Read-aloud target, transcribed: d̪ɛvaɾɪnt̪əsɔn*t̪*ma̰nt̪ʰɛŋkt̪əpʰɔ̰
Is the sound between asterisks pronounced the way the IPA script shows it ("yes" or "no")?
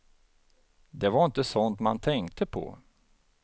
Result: yes